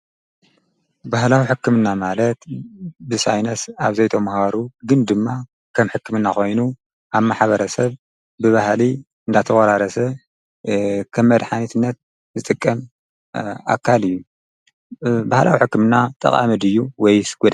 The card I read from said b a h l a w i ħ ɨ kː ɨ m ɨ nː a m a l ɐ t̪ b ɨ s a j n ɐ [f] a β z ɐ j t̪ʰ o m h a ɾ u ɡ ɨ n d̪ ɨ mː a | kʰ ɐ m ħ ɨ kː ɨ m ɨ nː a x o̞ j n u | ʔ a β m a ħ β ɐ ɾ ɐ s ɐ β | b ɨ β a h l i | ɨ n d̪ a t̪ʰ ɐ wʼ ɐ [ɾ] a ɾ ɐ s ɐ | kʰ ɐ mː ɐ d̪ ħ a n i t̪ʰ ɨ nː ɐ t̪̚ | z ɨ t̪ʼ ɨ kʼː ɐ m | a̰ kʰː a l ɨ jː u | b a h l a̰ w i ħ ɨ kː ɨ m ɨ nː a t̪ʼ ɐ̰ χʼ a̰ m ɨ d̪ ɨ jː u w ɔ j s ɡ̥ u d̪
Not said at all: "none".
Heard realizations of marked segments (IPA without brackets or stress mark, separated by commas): s, ɾ